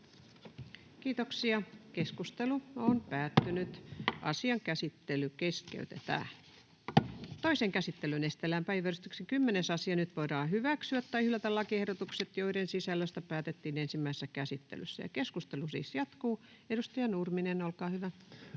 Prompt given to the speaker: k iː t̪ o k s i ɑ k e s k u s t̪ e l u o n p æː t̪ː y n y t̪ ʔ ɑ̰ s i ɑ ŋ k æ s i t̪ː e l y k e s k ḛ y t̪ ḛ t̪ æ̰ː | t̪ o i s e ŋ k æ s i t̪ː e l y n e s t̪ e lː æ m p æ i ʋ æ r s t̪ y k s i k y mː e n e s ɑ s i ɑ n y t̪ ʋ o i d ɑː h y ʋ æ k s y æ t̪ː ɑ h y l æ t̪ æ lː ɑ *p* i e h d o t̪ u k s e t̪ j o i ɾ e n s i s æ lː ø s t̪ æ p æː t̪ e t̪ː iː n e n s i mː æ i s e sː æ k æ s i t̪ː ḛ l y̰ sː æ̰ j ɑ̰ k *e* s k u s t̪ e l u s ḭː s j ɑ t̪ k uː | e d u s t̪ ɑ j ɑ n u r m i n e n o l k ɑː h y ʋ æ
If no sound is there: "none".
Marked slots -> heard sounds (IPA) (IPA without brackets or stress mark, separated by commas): k, e